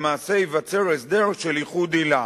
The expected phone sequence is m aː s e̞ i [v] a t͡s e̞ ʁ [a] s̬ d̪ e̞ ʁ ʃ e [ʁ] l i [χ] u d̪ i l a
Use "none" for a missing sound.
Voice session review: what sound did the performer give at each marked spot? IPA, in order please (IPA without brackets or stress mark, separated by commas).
v, e, none, χ